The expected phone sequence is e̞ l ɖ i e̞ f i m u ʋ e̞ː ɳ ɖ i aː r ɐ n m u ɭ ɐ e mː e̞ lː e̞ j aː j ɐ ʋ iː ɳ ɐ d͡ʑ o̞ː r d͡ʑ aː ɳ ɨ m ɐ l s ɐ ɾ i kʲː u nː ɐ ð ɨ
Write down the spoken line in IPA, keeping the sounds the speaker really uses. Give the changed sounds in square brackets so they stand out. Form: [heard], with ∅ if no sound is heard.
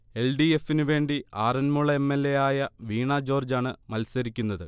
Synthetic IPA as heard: e̞ l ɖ i e̞ f i [n] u ʋ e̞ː ɳ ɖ i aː r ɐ n m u ɭ ɐ e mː e̞ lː e̞ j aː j ɐ ʋ iː ɳ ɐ d͡ʑ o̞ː r d͡ʑ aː ɳ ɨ m ɐ l s ɐ ɾ i kʲː u nː ɐ ð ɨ